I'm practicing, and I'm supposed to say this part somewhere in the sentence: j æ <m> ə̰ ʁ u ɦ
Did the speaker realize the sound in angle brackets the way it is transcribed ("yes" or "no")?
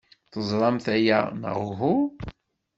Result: no